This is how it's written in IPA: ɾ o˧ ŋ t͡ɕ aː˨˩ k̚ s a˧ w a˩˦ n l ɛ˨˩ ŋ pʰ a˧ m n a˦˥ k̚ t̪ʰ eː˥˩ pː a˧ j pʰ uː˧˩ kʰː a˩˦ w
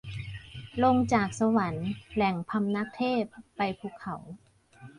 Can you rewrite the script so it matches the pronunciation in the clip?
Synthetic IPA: l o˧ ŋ t͡ɕ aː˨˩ k̚ s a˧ w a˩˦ n l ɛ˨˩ ŋ pʰ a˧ m n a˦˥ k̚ t̪ʰ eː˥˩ pː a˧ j pʰ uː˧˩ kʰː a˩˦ w